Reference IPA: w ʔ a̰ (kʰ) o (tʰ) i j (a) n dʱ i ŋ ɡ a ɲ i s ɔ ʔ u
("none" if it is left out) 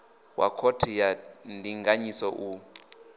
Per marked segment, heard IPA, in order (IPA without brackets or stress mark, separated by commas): kʰ, tʰ, a